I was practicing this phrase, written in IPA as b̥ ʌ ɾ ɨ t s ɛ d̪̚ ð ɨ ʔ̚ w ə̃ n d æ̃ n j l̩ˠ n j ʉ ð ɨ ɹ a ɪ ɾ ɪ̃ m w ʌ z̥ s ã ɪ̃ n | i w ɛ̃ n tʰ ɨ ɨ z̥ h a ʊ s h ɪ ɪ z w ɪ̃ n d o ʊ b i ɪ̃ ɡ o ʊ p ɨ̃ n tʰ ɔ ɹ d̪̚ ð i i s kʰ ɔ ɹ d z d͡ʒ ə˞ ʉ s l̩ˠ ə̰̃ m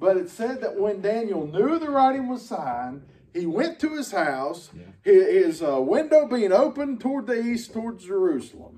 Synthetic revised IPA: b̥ ʌ ɾ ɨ t s ɛ d̪̚ ð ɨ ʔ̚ w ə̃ n d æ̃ n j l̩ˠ n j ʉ ð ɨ ɹ a ɪ ɾ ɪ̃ ŋ w ʌ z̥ s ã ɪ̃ n | i w ɛ̃ n tʰ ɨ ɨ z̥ h a ʊ s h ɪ ɪ z w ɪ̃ n d o ʊ b i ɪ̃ ŋ o ʊ p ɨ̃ n tʰ ɔ ɹ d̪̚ ð i i s tʰ ɔ ɹ d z d͡ʒ ə˞ ʉ s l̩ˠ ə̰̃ m